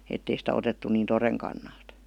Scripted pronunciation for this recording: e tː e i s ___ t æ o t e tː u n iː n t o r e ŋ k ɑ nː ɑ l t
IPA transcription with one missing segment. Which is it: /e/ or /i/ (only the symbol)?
i